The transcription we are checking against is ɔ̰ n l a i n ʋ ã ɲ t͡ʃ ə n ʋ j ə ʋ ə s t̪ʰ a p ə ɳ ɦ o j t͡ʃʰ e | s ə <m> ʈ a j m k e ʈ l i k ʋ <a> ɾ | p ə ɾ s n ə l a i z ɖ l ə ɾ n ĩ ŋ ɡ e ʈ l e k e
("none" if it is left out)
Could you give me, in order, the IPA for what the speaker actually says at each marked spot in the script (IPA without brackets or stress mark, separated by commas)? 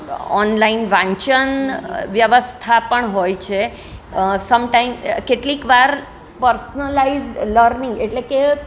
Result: m, a